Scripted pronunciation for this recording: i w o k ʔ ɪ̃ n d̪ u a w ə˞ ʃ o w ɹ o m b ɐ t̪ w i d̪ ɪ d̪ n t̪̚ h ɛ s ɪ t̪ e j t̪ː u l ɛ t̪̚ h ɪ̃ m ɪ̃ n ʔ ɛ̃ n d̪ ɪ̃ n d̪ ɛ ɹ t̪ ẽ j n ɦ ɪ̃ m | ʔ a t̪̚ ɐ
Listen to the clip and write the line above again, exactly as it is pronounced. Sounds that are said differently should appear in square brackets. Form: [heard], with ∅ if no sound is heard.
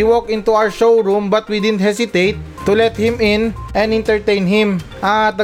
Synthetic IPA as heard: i w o k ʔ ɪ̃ n [t̪] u a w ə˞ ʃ o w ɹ [u] m b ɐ t̪ w i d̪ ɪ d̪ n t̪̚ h ɛ s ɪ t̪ e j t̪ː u l ɛ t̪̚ h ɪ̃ m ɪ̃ n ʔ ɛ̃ n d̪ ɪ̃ n [t̪] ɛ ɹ t̪ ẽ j n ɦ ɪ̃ m | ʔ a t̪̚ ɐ